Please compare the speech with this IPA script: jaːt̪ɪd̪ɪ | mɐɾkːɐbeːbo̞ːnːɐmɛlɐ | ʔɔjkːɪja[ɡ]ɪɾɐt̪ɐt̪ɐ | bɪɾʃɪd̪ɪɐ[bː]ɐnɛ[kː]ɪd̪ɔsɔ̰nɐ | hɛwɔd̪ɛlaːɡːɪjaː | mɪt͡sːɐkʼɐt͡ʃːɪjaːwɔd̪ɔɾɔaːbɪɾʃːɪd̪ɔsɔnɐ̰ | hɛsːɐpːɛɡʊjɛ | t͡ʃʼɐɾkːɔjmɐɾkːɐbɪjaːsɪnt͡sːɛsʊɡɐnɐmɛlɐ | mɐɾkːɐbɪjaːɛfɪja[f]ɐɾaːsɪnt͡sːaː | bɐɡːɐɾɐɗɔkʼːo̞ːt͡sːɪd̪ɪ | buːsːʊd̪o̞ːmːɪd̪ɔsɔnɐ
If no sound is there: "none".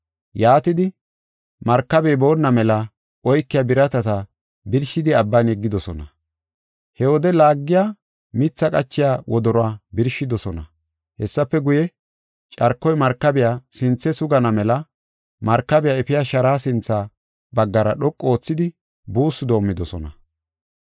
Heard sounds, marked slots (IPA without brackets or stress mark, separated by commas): b, bː, ɡː, ʃ